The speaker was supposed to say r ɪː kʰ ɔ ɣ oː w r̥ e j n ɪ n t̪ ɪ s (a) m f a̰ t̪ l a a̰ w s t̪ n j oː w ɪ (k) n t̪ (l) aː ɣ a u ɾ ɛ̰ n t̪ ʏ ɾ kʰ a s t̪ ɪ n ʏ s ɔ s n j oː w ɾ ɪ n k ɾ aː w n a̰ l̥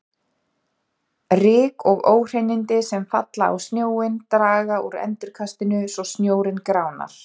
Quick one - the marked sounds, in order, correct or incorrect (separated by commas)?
incorrect, incorrect, incorrect